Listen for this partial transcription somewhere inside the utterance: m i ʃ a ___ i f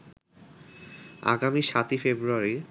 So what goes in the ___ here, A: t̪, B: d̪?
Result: A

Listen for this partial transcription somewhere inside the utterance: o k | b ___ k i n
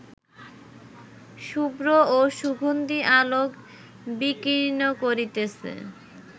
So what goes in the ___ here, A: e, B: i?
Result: B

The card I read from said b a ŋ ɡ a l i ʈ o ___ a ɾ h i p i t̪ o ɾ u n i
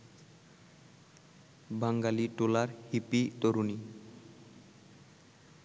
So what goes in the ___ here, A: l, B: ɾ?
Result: A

